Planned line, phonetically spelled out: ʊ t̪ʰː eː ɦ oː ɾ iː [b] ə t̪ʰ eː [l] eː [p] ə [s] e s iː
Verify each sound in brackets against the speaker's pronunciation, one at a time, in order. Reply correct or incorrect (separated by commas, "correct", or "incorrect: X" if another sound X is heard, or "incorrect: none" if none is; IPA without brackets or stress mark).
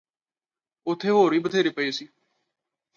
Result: correct, incorrect: ɾ, correct, incorrect: none